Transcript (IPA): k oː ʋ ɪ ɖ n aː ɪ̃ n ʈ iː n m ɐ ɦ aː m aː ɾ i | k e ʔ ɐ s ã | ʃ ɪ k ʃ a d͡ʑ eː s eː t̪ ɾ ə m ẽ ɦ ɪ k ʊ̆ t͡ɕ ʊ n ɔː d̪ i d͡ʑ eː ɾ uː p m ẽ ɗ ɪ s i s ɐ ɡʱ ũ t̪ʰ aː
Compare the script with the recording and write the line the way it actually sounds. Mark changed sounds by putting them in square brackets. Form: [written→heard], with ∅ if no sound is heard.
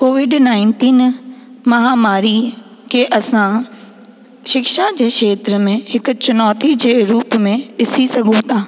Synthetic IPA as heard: k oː ʋ ɪ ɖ n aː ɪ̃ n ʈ iː n m ɐ ɦ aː m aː ɾ i | k e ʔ ɐ s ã | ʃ ɪ k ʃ a d͡ʑ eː [s→ʃ] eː t̪ ɾ ə m ẽ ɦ ɪ k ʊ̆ t͡ɕ ʊ n ɔː [d̪→t̪] i d͡ʑ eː ɾ uː p m ẽ ɗ ɪ s i s ɐ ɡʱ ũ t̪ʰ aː

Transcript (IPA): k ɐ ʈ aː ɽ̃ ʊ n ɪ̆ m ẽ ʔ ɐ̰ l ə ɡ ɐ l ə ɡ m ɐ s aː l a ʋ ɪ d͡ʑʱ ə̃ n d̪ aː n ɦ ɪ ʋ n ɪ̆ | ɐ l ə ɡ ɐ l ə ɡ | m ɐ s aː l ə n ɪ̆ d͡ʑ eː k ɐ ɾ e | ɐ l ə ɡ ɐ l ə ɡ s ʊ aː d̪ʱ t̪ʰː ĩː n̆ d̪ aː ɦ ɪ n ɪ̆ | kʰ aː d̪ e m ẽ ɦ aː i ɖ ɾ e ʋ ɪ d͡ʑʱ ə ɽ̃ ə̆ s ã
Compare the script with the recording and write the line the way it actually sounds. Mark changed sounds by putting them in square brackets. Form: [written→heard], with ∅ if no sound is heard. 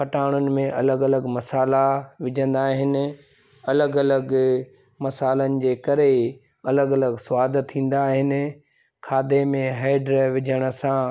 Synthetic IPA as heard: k ɐ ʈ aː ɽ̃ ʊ n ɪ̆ m ẽ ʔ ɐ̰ l ə ɡ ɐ l ə ɡ m ɐ s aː l a ʋ ɪ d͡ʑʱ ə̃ n d̪ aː [n→∅] ɦ ɪ [ʋ→∅] n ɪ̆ | ɐ l ə ɡ ɐ l ə ɡ | m ɐ s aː l ə n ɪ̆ d͡ʑ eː k ɐ ɾ e | ɐ l ə ɡ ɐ l ə ɡ s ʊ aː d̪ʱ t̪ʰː ĩː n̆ d̪ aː ɦ ɪ n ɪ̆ | kʰ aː d̪ e m ẽ ɦ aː [i→ɪ] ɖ ɾ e ʋ ɪ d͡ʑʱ ə ɽ̃ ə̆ s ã

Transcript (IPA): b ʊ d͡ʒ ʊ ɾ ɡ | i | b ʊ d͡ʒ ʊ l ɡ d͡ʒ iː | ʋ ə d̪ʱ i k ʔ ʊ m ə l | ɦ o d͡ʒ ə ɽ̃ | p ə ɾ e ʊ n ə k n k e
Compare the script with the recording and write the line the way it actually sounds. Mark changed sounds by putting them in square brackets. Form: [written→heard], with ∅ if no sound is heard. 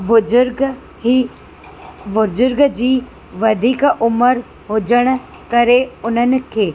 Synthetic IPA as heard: b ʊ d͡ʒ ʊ ɾ ɡ | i | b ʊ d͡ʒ ʊ [l→ɾ] ɡ d͡ʒ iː | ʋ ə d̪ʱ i k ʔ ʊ m ə [l→ɾ] | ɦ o d͡ʒ ə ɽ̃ | [p→k] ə ɾ e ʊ n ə [k→∅] n k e

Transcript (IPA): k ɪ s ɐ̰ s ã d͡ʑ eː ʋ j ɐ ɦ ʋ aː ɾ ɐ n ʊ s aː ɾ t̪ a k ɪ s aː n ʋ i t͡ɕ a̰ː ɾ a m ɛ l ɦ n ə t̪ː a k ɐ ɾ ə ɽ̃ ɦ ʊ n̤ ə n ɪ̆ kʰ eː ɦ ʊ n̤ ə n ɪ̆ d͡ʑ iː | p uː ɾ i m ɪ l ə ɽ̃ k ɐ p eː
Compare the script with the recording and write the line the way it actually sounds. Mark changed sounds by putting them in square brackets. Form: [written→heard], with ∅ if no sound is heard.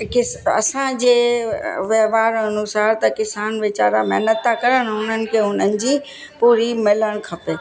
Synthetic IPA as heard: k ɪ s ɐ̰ s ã d͡ʑ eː ʋ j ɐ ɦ ʋ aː ɾ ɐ n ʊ s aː ɾ t̪ [a→ɐ] k ɪ s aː n ʋ [i→ɪ] t͡ɕ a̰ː ɾ a m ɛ [l→∅] ɦ n ə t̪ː a k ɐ ɾ ə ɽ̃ ɦ ʊ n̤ ə n ɪ̆ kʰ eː ɦ ʊ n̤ ə n ɪ̆ d͡ʑ iː | p uː ɾ i m ɪ l ə ɽ̃ [k→kʰ] ɐ p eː

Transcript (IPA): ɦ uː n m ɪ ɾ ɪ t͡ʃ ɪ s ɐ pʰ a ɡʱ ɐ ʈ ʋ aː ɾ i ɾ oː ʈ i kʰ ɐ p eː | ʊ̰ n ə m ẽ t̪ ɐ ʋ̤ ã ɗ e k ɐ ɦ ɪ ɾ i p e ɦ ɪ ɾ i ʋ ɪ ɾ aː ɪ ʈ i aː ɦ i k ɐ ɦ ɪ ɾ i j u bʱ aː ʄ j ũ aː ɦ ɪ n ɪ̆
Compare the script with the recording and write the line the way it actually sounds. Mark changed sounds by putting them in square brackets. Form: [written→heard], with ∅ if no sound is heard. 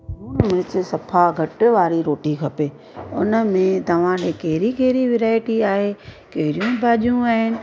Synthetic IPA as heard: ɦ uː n m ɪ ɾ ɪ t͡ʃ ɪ s ɐ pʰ a ɡʱ ɐ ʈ ʋ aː ɾ i ɾ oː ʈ i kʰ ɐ p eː | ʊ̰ n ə m ẽ t̪ ɐ ʋ̤ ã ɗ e k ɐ ɦ ɪ ɾ i [p→k] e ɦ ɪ ɾ i ʋ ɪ ɾ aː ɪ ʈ i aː ɦ [i→e] k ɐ ɦ ɪ ɾ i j [u→ũ] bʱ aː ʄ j ũ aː ɦ ɪ n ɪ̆

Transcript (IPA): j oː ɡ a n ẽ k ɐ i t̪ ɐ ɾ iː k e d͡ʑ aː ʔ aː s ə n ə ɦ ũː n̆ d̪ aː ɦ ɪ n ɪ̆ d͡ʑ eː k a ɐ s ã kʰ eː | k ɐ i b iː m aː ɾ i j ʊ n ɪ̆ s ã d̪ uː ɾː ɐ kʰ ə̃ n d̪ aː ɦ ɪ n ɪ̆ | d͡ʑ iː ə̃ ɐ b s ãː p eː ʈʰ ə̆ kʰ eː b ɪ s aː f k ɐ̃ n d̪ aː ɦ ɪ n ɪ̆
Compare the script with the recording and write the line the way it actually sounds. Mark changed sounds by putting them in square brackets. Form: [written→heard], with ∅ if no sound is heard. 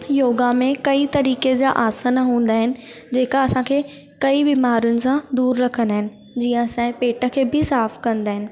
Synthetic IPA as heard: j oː ɡ a [n→m] ẽ k ɐ i t̪ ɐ ɾ iː k e d͡ʑ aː ʔ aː s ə n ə ɦ ũː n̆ d̪ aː ɦ ɪ n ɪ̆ d͡ʑ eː k a ɐ s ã kʰ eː | k ɐ i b iː m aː ɾ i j ʊ n ɪ̆ s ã d̪ uː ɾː ɐ kʰ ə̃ n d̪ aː ɦ ɪ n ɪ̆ | d͡ʑ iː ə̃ ɐ [b→∅] s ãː p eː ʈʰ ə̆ kʰ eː b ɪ s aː f k ɐ̃ n d̪ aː ɦ ɪ n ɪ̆

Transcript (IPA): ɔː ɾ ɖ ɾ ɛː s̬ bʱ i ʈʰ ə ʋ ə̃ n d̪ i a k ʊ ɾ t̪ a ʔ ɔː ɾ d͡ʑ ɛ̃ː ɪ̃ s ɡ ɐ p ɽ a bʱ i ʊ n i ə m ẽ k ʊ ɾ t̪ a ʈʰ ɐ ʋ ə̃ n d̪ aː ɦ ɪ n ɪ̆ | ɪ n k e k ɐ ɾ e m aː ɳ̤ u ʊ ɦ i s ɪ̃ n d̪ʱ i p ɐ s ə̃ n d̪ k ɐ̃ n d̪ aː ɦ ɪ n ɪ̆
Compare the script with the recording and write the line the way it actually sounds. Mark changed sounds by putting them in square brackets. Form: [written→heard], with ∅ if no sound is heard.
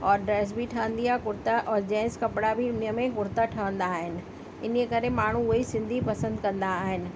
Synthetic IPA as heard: ɔː ɾ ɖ ɾ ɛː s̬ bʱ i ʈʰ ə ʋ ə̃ n d̪ i a k ʊ ɾ t̪ a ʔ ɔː ɾ d͡ʑ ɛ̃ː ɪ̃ s [ɡ→k] ɐ p ɽ a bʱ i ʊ n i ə m ẽ k ʊ ɾ t̪ a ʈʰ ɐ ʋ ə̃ n d̪ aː ɦ ɪ n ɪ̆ | ɪ n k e k ɐ ɾ e m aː ɳ̤ u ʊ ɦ i s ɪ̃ n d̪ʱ i p ɐ s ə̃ n d̪ k ɐ̃ n d̪ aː ɦ ɪ n ɪ̆

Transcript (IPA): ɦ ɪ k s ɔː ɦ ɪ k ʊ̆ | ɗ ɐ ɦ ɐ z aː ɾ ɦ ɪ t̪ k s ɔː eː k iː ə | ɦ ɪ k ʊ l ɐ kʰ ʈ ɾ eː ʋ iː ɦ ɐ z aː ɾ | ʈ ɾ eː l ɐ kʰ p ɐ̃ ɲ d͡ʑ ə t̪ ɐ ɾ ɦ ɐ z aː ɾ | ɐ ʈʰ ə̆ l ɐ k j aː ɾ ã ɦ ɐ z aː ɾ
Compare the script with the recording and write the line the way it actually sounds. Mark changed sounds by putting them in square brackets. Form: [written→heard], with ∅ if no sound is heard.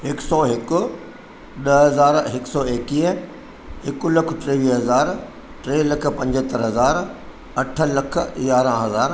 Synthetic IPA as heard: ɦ ɪ k s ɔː ɦ ɪ k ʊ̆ | ɗ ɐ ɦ ɐ z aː ɾ ɦ ɪ [t̪→∅] k s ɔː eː k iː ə | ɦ ɪ k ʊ l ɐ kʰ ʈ ɾ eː ʋ iː ɦ ɐ z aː ɾ | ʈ ɾ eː l ɐ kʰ p ɐ̃ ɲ d͡ʑ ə t̪ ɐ ɾ ɦ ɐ z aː ɾ | ɐ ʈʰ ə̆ l ɐ [k→kʰ] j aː ɾ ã ɦ ɐ z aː ɾ

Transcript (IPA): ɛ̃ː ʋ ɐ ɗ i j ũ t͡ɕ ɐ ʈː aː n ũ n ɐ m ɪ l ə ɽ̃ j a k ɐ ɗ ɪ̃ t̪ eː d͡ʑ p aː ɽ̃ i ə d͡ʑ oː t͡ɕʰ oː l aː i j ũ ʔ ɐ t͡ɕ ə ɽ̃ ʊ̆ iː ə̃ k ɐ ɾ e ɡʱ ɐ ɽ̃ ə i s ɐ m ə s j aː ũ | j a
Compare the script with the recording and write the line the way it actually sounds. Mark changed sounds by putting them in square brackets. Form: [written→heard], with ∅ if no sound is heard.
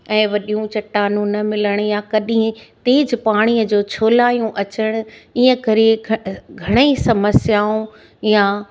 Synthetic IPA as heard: ɛ̃ː ʋ ɐ ɗ i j ũ t͡ɕ ɐ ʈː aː n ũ n ɐ m ɪ l ə ɽ̃ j a k ɐ ɗ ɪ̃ t̪ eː d͡ʑ p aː ɽ̃ i ə d͡ʑ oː t͡ɕʰ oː l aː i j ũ ʔ ɐ t͡ɕ ə ɽ̃ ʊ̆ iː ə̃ k ɐ ɾ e ɡʱ ɐ ɽ̃ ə i s ɐ m ə s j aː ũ | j a

